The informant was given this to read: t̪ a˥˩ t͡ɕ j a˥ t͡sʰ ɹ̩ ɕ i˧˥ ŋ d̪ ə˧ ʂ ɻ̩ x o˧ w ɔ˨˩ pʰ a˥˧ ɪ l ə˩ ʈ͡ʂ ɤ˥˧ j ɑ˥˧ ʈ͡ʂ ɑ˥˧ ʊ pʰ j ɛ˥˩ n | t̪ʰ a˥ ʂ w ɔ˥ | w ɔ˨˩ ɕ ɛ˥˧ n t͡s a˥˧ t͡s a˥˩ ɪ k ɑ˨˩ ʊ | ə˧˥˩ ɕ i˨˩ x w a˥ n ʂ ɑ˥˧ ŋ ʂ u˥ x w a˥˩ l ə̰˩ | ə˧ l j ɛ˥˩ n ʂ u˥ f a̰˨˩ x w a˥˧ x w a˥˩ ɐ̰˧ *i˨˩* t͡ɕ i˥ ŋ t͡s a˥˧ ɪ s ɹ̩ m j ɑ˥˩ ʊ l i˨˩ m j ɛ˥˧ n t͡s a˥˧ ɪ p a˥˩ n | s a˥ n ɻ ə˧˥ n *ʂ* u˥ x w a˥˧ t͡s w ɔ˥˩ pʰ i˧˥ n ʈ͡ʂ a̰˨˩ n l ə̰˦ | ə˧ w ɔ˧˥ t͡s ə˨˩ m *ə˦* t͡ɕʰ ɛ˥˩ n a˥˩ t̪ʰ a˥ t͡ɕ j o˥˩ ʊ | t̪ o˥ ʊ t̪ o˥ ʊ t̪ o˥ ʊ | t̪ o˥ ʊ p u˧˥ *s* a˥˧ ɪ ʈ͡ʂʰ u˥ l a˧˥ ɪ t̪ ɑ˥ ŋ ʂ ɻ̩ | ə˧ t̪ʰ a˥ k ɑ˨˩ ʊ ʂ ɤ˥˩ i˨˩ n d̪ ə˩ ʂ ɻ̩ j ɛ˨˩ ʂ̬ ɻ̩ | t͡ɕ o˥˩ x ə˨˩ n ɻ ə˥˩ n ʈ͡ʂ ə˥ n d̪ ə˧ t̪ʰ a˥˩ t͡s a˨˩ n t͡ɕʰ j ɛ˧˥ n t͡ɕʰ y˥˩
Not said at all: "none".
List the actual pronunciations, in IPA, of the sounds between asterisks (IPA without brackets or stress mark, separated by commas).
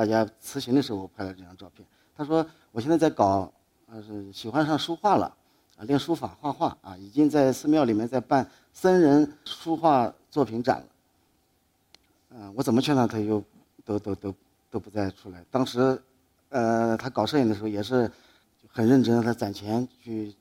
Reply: i˨˩, ʂ, ə˦, t͡s